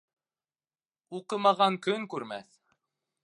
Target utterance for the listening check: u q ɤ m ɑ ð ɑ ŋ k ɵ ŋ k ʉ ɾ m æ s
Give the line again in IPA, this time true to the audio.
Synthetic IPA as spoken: u q ɤ m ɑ ʁ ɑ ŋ k ɵ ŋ k ʉ ɾ m æ θ